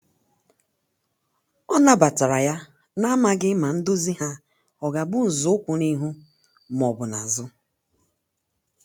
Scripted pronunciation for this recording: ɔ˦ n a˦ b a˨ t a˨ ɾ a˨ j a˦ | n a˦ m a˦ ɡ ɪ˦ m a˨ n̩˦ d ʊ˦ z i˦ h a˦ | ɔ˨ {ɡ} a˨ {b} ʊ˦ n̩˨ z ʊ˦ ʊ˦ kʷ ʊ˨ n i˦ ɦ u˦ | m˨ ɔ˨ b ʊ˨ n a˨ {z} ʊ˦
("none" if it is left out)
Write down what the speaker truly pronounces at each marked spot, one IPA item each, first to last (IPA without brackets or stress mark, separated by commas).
ɡ, b, z